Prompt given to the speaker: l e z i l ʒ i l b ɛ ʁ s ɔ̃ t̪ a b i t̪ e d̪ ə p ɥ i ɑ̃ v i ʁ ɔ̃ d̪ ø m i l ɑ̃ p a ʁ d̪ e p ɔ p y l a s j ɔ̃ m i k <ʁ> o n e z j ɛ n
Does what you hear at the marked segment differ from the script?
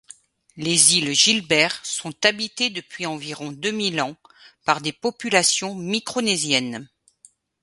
yes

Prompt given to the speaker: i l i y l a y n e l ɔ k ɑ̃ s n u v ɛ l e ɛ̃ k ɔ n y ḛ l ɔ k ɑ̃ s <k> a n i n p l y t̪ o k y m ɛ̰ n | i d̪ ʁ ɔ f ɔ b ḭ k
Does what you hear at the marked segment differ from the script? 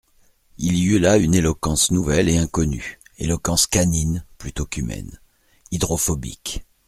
no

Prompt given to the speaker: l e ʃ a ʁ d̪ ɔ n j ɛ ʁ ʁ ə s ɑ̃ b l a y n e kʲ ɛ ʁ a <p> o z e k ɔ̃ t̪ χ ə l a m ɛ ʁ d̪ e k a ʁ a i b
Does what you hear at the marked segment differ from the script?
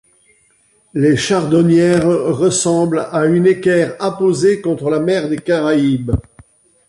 no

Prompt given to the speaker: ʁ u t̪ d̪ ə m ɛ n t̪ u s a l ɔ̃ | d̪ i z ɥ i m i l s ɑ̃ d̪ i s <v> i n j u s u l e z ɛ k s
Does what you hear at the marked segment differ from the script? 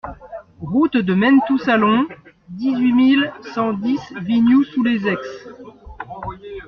no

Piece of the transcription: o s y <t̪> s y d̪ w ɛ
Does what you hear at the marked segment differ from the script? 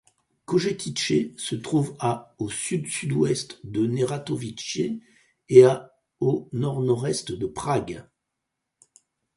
yes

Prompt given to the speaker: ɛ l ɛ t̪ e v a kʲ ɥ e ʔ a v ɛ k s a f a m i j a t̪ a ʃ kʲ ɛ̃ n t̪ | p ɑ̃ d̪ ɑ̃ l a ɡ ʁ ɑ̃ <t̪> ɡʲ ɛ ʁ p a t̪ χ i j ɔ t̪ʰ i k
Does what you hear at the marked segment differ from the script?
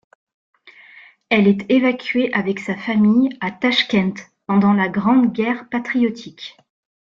yes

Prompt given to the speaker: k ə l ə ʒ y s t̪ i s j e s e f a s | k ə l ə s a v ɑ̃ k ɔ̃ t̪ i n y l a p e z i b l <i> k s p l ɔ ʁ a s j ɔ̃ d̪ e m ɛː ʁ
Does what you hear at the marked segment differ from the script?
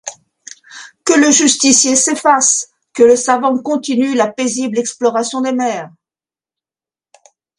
yes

